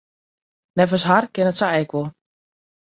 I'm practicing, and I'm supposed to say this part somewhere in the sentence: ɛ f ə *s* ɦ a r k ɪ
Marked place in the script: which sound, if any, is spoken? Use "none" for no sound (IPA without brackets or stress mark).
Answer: s